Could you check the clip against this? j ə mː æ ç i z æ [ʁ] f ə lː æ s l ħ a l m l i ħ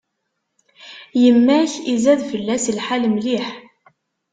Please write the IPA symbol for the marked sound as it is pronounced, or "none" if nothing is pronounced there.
ð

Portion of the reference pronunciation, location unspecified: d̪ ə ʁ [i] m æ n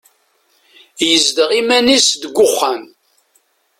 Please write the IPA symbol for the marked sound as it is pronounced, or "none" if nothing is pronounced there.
i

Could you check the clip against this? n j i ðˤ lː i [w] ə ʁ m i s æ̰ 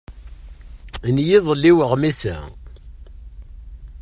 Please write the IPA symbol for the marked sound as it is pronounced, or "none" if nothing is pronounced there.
w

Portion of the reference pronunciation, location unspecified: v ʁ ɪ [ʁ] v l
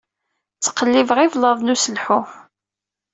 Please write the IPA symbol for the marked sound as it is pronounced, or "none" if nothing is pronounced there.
none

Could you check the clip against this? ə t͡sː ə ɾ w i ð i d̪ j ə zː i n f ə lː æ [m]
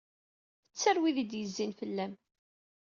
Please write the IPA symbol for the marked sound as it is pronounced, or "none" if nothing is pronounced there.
m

